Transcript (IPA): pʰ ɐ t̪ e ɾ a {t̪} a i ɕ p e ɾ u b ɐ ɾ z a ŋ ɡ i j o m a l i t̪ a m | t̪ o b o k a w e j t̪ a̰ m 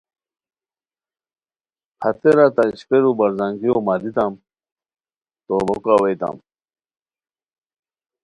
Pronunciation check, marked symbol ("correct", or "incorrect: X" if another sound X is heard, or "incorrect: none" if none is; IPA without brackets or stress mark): correct